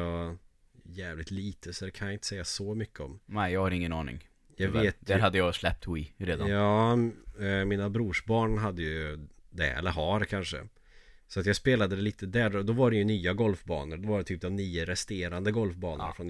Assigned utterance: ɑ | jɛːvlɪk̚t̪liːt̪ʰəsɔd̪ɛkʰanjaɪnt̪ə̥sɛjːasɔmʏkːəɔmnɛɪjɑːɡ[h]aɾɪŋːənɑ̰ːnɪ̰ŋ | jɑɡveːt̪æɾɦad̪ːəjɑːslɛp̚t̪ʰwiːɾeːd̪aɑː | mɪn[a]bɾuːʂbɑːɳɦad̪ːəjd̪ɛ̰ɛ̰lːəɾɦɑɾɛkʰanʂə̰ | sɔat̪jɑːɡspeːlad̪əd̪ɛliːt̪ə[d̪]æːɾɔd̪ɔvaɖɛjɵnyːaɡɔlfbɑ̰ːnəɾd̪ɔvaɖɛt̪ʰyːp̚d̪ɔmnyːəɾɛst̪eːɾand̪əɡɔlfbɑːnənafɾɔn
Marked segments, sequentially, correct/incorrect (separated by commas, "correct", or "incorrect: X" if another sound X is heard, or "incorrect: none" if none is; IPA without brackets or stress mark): correct, correct, correct